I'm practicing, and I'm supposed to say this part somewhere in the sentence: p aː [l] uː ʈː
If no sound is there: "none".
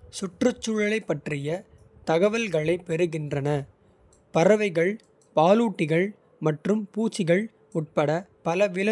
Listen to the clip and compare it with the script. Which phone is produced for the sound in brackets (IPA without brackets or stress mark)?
l